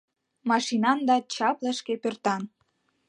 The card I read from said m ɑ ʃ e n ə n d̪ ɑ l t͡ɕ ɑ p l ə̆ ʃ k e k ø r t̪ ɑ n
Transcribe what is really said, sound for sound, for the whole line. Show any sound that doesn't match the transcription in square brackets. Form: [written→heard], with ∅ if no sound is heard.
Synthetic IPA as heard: m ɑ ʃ [e→i] n [ə→ɑ] n d̪ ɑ [l→∅] t͡ɕ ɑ p l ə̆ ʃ k e [k→p] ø r t̪ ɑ n